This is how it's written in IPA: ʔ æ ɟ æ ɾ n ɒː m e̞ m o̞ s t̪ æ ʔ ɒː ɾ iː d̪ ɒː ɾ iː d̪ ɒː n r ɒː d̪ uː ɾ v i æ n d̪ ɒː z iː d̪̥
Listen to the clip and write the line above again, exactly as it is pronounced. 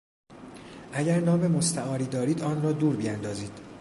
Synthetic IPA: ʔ æ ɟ æ ɾ n ɒː m e̞ m o̞ s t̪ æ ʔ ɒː ɾ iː d̪ ɒː ɾ iː d̪ ɒː n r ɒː d̪ uː ɾ b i æ n d̪ ɒː z iː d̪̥